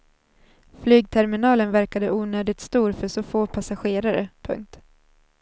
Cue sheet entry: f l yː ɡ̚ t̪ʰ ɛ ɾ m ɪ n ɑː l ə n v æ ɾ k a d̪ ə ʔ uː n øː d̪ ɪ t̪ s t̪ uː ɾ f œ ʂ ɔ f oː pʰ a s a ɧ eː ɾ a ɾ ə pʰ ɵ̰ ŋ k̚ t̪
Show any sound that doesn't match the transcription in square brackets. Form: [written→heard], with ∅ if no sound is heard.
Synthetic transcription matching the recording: f l yː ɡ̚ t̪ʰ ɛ ɾ m ɪ n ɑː l ə n v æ ɾ k a d̪ ə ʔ uː n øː d̪ ɪ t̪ s t̪ uː ɾ f œ ʂ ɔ f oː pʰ a s a ɧ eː ɾ a ɾ ə pʰ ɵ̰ ŋ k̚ t̪